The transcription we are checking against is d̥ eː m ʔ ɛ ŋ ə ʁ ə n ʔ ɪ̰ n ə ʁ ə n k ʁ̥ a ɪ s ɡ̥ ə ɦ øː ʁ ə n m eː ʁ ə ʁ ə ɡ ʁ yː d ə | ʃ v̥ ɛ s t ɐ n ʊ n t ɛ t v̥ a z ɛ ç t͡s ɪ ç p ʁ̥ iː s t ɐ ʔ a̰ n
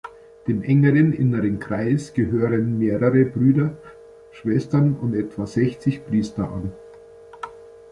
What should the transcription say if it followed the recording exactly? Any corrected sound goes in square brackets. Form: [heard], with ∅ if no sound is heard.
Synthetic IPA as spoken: d̥ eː m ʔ ɛ ŋ ə ʁ ə n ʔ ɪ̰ n ə ʁ ə n k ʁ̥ a ɪ s ɡ̥ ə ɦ øː ʁ ə n m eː ʁ ə ʁ ə [b] ʁ yː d [ɐ] | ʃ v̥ ɛ s t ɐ n ʊ n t ɛ t v̥ a z ɛ ç t͡s ɪ ç p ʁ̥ iː s t ɐ ʔ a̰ n